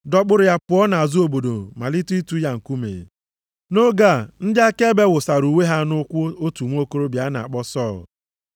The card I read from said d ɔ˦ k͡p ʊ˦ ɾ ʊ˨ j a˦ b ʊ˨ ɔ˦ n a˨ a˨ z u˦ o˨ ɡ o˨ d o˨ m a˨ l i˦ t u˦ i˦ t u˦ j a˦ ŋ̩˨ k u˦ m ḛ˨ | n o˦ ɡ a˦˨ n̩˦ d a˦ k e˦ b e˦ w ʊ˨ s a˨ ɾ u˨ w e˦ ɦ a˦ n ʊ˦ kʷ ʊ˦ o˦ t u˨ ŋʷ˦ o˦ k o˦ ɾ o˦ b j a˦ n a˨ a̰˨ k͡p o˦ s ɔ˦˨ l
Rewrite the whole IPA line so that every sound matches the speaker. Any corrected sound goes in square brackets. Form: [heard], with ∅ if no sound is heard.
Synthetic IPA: d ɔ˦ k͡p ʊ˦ ɾ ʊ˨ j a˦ [p] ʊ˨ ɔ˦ n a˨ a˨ z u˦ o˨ [b] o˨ d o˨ m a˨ l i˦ t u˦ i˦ t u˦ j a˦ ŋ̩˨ k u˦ m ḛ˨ | n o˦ ɡ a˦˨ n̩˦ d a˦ k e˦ b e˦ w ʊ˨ s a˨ ɾ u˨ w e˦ ɦ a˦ n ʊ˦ kʷ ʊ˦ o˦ t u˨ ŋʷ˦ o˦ k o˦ ɾ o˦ b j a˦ n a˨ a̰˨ k͡p [ɔ˦] s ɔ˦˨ l